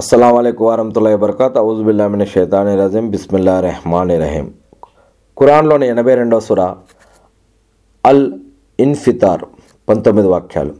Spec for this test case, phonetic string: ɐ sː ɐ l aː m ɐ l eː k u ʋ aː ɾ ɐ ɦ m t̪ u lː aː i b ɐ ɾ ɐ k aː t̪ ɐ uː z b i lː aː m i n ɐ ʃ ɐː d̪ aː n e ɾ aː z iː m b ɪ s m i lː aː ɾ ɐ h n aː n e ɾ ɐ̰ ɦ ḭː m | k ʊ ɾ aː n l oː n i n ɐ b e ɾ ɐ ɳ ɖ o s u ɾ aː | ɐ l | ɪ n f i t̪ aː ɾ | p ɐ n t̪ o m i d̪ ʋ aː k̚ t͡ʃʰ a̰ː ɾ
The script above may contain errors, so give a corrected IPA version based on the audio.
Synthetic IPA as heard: ɐ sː ɐ l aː m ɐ l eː k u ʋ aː ɾ ɐ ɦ m t̪ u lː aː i b ɐ ɾ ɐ k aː t̪ ɐ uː z b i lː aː m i n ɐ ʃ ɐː t̪ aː n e ɾ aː z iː m b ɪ s m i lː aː ɾ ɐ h m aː n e ɾ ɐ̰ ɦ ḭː m | k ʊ ɾ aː n l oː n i n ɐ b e ɾ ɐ ɳ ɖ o s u ɾ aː | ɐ l | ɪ n f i t̪ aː ɾ | p ɐ n t̪ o m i d̪ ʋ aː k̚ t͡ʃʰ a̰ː l